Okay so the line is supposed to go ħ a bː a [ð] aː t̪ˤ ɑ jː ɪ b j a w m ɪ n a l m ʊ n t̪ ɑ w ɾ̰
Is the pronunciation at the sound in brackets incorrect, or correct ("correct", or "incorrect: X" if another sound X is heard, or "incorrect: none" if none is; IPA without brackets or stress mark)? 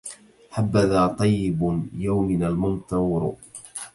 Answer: correct